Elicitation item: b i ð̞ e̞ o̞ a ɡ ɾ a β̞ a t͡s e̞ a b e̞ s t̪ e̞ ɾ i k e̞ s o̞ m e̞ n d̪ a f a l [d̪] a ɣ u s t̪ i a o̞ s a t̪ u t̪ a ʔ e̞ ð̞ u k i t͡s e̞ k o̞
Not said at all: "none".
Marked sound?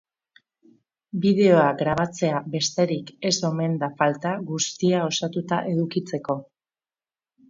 t̪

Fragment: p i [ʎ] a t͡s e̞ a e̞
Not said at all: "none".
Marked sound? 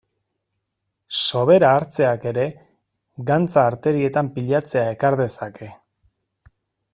ʎ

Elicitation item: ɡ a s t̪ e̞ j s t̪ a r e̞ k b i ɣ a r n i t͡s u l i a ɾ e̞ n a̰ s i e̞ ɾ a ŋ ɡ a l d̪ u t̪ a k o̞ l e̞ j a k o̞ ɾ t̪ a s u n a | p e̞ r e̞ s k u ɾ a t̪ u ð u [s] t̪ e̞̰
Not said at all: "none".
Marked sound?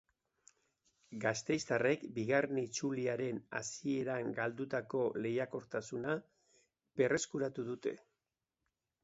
none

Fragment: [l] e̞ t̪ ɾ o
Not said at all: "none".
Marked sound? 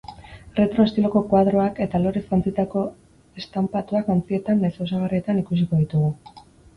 r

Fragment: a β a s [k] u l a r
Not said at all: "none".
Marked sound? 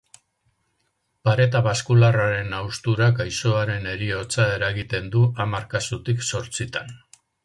k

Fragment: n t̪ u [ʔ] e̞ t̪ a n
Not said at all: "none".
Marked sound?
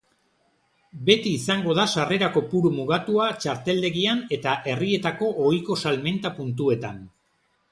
none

